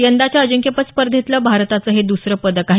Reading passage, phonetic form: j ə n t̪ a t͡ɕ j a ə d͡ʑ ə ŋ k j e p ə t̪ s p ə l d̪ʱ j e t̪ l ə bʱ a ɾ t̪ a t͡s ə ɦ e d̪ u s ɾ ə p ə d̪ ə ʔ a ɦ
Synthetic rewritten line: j ə n d̪ a t͡ɕ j a ə d͡ʑ ə ŋ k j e p ə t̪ s p ə ɾ d̪ʱ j e t̪ l ə bʱ a ɾ t̪ a t͡s ə ɦ e d̪ u s ɾ ə p ə d̪ ə k a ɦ

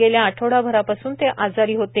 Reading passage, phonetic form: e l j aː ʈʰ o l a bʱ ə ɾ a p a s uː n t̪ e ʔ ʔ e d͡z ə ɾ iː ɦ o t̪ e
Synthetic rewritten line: e l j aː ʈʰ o ɽ a bʱ ə ɾ a p a s uː n t̪ e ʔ ʔ a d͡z a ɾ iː ɦ o t̪ e

